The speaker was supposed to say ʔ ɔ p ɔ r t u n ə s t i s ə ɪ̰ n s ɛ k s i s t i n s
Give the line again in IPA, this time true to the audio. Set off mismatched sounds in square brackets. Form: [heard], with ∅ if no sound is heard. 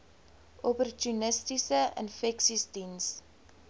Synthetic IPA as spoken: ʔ ɔ p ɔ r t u n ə s t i s ə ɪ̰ n [f] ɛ k s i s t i n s